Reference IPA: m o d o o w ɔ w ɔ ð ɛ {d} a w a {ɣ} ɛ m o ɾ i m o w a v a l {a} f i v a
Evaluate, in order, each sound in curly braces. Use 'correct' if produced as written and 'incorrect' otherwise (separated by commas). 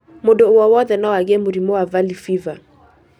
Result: incorrect, correct, incorrect